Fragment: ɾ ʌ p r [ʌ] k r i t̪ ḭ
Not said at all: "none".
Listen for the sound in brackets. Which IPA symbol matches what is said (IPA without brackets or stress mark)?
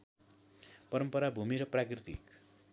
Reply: a